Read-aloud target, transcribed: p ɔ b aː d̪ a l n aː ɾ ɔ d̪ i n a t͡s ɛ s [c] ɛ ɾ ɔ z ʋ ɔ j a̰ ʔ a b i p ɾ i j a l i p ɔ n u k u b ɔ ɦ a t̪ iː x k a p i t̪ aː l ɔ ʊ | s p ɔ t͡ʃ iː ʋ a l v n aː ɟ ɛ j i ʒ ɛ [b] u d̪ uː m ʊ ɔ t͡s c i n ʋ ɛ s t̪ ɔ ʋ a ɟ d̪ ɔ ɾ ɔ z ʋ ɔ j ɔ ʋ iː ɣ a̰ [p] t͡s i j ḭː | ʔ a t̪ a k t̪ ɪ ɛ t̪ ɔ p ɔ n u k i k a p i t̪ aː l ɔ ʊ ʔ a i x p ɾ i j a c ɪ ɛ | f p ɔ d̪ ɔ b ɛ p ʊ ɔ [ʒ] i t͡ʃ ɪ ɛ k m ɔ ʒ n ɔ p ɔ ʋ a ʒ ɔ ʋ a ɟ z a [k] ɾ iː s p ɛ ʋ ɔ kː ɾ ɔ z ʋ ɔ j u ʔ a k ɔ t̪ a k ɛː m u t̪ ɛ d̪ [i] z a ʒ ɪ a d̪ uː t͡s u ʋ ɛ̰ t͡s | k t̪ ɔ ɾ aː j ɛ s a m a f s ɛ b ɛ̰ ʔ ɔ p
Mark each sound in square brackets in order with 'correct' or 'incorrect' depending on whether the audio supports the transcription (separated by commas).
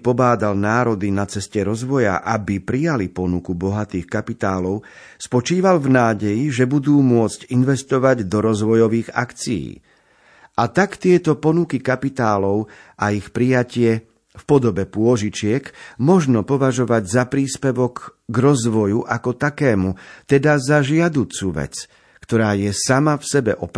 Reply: correct, correct, incorrect, correct, incorrect, incorrect